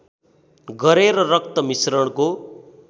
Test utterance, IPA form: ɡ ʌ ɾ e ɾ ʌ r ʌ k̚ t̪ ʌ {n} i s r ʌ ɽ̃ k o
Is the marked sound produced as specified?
no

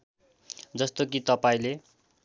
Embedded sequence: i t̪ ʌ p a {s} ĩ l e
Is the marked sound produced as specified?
no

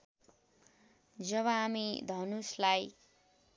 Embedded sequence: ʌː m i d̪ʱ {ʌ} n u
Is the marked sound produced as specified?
yes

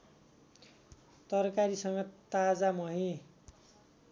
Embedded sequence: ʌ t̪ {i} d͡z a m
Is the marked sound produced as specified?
no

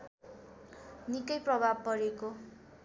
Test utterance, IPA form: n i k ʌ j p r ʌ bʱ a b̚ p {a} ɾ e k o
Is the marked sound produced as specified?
no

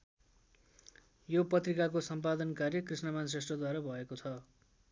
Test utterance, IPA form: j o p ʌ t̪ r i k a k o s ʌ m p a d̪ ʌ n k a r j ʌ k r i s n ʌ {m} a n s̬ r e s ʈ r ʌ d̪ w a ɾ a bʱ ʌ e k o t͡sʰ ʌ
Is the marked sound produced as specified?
yes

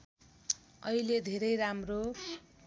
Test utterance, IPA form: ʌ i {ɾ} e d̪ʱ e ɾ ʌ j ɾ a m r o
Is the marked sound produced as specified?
no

